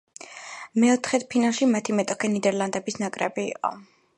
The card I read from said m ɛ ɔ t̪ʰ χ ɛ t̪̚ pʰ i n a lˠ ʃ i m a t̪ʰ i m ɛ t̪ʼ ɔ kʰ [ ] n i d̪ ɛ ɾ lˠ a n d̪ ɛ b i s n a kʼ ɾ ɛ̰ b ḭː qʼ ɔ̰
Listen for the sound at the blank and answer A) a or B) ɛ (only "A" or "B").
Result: B